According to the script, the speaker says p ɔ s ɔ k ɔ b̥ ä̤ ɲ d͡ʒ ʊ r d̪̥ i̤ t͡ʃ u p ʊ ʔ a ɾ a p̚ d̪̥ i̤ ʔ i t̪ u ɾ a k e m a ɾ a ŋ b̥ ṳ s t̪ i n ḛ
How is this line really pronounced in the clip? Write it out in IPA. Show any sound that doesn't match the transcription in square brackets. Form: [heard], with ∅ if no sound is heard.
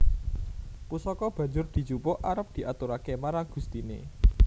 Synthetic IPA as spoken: p [u] s ɔ k ɔ b̥ ä̤ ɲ d͡ʒ ʊ r d̪̥ i̤ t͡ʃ u p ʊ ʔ a ɾ [ə] p̚ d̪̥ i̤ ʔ [a] t̪ u ɾ a k e m a ɾ a ŋ [ɡ̥] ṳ s t̪ i n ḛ